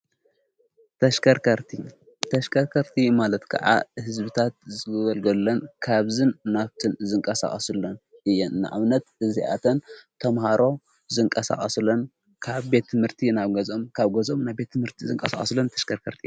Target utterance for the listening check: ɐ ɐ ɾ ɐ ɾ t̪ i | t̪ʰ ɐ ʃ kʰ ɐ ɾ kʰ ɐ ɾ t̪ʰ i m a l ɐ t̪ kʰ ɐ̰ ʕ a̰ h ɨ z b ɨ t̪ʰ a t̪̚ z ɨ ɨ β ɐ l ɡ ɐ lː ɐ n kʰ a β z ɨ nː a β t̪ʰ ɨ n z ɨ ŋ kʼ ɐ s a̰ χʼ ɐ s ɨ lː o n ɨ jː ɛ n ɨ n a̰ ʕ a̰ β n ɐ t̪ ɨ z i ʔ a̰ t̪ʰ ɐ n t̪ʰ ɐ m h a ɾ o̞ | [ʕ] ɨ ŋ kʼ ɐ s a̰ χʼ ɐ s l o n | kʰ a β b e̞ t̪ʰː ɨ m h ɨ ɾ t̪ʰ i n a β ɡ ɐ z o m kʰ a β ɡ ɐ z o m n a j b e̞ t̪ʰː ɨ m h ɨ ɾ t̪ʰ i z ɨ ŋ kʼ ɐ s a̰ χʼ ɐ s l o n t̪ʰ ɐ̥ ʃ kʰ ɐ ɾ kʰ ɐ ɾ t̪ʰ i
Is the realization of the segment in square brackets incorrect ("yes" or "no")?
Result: yes